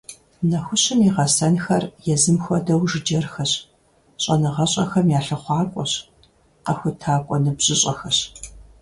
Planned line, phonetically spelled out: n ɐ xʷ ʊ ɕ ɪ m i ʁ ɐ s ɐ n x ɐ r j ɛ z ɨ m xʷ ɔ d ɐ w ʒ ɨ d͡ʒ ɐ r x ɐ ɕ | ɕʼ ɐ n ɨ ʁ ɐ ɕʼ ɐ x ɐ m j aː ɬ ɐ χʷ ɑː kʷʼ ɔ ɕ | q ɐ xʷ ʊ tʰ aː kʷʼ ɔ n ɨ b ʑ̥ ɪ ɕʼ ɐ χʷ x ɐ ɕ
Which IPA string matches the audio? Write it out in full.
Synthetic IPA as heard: n ɐ xʷ ʊ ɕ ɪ m i ʁ ɐ s ɐ n x ɐ r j ɛ z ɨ m xʷ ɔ d ɐ w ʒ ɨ d͡ʒ ɐ r x ɐ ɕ | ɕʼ ɐ n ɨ ʁ ɐ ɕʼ ɐ x ɐ m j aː ɬ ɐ χʷ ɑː kʷʼ ɔ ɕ | q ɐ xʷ ʊ tʰ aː kʷʼ ɔ n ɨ b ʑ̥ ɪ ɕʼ ɐ x ɐ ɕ